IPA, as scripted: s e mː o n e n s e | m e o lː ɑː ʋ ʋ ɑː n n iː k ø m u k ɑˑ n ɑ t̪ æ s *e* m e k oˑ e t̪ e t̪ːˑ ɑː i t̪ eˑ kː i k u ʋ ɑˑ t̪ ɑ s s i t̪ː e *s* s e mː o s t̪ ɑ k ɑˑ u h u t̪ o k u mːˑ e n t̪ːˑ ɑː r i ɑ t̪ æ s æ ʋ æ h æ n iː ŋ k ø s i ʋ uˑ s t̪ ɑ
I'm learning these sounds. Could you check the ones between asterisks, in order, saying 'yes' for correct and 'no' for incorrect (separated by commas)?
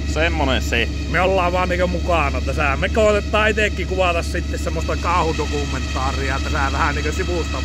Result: no, yes